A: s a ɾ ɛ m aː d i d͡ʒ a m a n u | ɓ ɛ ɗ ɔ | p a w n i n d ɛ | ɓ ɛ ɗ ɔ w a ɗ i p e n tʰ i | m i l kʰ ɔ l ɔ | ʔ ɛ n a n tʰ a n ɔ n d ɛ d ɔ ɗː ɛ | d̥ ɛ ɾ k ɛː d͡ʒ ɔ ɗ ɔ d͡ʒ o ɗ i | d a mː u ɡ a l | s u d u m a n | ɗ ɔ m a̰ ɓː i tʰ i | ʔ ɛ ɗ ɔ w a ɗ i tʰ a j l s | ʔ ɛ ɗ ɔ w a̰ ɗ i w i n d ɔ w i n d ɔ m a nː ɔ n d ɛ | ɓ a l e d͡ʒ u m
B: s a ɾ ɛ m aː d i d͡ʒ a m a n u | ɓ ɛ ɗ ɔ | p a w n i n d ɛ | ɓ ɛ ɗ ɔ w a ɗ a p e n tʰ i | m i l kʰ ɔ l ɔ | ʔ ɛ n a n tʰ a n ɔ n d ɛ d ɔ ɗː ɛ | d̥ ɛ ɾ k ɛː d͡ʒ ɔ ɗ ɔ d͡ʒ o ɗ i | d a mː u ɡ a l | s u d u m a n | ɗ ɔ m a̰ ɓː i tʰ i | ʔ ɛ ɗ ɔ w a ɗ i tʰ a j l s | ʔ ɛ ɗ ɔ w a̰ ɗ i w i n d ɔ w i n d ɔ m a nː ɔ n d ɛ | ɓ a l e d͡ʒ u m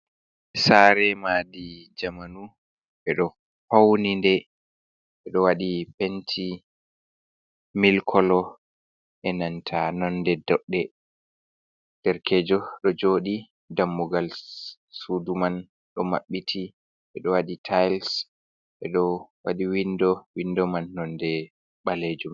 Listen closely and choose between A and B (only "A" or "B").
A